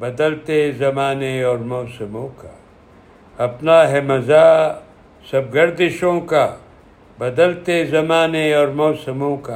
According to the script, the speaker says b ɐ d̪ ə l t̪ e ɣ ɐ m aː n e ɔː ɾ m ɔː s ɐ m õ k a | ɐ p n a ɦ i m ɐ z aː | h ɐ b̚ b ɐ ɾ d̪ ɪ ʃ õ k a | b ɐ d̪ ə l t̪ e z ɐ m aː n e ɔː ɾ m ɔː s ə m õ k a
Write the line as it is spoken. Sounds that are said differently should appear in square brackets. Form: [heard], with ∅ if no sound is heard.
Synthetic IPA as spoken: b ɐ d̪ ə l t̪ e [z] ɐ m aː n e ɔː ɾ m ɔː s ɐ m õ k a | ɐ p n a ɦ [ɛ] m ɐ z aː | [s] ɐ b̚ [ɡ] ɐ ɾ d̪ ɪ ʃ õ k a | b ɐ d̪ ə l t̪ e z ɐ m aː n e ɔː ɾ m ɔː s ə m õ k a